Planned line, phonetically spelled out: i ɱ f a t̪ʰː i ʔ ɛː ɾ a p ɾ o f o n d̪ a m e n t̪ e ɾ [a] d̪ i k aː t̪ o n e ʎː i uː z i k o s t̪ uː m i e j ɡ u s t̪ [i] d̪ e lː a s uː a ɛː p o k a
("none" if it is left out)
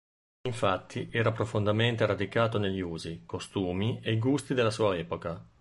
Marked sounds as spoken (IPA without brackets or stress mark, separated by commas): a, i